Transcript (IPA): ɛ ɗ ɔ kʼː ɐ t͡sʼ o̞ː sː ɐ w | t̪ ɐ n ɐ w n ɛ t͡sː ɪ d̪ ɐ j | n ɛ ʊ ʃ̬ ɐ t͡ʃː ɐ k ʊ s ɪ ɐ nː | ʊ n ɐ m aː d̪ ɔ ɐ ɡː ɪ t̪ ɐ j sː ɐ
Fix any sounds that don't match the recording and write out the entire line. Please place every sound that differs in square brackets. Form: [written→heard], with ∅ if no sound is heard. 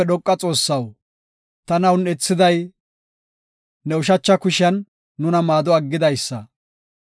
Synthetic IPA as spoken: ɛ ɗ ɔ kʼː ɐ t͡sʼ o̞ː sː ɐ w | t̪ ɐ n ɐ w n ɛ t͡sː ɪ d̪ ɐ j | n ɛ ʊ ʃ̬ ɐ t͡ʃː ɐ k ʊ [s→ʃ] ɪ ɐ nː | ʊ n ɐ m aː d̪ ɔ ɐ ɡː ɪ [t̪→d̪] ɐ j sː ɐ